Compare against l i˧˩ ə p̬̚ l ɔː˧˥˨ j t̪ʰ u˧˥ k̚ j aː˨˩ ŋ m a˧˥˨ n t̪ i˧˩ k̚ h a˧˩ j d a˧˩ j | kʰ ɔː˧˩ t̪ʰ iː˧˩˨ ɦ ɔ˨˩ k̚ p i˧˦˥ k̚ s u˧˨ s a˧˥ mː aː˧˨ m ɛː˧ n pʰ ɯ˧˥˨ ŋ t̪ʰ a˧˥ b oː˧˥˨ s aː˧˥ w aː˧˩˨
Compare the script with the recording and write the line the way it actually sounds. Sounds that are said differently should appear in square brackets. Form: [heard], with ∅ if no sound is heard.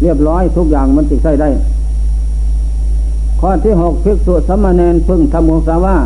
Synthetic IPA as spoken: l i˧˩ ə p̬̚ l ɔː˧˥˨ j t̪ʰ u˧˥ k̚ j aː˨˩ ŋ m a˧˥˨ n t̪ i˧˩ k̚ [s] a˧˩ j d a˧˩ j | kʰ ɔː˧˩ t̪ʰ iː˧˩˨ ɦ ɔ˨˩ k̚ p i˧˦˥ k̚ s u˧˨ s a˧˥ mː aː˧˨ [n] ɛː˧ n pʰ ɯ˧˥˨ ŋ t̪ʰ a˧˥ [m] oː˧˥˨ s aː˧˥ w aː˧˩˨